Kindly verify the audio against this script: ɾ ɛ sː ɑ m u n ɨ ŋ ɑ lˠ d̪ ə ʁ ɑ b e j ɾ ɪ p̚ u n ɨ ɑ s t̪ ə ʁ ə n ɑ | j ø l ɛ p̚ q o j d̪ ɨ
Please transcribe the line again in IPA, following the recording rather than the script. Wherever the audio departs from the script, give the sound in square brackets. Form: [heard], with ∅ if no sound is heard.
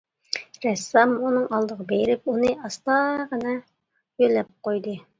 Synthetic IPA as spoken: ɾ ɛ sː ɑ m u n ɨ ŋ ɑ lˠ d̪ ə ʁ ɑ b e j ɾ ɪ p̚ u n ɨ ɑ s t̪ [ɑ] ʁ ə n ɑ | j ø l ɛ p̚ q o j d̪ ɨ